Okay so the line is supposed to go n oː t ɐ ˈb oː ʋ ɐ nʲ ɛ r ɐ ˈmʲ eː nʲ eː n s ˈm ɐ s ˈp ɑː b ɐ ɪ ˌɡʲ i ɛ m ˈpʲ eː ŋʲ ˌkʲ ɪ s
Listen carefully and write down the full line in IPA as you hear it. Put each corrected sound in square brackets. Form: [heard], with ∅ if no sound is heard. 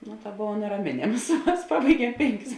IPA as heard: n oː t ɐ ˈb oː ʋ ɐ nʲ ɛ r ɐ ˈmʲ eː nʲ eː [m] s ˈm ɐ s ˈp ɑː b ɐ ɪ ˌɡʲ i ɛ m ˈpʲ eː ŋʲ ˌkʲ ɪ s